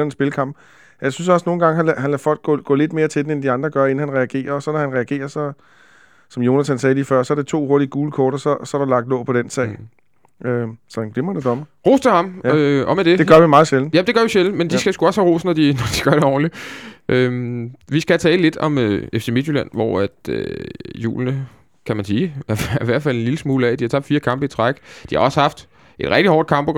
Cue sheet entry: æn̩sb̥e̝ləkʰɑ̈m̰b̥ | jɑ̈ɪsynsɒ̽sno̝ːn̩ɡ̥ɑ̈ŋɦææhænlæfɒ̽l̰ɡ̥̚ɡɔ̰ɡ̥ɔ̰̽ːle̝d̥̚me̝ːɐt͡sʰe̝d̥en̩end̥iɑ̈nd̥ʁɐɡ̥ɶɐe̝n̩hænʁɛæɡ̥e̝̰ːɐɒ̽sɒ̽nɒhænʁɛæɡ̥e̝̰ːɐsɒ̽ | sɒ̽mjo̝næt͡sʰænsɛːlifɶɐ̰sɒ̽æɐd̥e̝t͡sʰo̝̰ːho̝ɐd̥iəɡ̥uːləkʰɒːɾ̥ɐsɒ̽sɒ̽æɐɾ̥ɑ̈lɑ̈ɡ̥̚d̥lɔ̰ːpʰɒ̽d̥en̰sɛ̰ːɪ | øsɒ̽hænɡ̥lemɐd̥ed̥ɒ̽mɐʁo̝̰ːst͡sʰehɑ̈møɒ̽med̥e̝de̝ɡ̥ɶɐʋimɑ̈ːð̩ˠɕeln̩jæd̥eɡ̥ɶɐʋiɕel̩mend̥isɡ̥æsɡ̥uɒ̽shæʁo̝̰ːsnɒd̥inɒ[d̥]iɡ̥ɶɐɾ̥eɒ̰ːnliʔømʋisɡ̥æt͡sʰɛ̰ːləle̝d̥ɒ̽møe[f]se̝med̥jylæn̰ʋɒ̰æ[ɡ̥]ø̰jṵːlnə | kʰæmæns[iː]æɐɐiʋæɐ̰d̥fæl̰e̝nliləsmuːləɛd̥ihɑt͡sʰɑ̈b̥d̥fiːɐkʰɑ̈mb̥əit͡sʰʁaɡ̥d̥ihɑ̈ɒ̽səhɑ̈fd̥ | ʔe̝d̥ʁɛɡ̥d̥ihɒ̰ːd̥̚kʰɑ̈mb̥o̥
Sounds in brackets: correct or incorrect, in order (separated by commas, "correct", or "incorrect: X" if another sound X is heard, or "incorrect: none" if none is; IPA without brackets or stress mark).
correct, correct, incorrect: d̥, correct